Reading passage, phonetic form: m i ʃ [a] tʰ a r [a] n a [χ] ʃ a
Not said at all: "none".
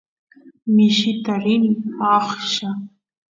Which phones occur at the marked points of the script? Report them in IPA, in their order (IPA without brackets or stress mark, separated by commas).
i, i, χ